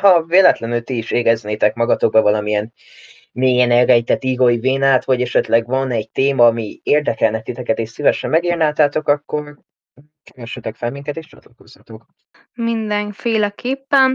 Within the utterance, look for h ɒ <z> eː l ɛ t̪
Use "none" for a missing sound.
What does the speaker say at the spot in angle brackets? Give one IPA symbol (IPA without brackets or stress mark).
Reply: v